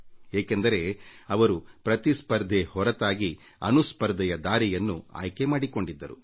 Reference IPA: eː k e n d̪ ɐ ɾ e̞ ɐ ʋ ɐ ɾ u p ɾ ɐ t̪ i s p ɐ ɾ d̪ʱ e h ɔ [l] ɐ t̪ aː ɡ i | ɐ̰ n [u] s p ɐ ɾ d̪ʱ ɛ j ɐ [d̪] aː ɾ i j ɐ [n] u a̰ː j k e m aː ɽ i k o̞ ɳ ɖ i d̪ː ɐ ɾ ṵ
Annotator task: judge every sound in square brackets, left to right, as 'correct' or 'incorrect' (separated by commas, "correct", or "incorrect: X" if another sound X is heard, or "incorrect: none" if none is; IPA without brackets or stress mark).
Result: incorrect: ɾ, correct, correct, incorrect: nː